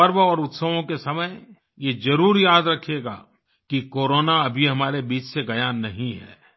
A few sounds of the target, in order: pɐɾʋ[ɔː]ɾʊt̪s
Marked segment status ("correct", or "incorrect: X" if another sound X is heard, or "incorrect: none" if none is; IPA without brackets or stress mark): correct